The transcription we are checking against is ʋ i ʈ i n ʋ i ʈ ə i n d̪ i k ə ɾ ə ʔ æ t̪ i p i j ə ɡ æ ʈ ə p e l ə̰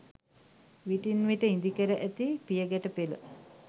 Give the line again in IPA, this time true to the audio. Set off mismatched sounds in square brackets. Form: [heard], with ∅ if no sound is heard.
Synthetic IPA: ʋ i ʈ i n ʋ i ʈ ə i n d̪ i k ə ɾ ə ʔ æ t̪ i p i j ə ɡ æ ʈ ə p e l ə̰